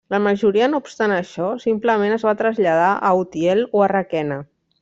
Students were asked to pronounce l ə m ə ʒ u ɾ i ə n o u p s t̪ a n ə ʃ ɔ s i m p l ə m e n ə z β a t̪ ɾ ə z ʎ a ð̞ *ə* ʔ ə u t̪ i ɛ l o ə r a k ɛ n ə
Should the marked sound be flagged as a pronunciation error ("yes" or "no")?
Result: yes